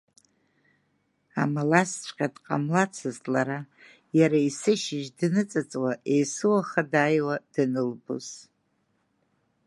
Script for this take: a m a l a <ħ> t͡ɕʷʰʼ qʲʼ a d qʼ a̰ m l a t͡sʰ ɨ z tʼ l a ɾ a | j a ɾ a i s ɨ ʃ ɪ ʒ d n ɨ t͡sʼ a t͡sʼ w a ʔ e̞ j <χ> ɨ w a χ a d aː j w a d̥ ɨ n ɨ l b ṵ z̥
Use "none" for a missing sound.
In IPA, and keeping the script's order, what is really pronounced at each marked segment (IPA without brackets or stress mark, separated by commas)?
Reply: s, s